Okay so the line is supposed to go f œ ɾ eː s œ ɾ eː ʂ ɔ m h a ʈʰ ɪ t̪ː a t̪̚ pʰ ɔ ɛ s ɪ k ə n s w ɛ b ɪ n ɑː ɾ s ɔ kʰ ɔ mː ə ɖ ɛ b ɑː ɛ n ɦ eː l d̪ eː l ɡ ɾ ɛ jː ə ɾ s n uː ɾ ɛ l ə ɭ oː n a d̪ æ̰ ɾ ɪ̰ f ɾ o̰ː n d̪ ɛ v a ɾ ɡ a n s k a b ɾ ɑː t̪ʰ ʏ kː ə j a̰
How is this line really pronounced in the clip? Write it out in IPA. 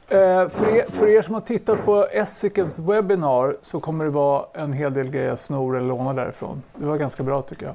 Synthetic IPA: f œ ɾ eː f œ ɾ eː ʂ ɔ m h a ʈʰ ɪ t̪ː a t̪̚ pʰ ɔ ɛ s ɪ k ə n s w ɛ b ɪ n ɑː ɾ s ɔ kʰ ɔ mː ə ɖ ɛ v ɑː ɛ n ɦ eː l d̪ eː l ɡ ɾ ɛ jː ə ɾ s n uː ɾ ɛ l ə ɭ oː n a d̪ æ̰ ɾ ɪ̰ f ɾ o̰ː n d̪ ɛ v a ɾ ɡ a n s k a b ɾ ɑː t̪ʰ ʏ kː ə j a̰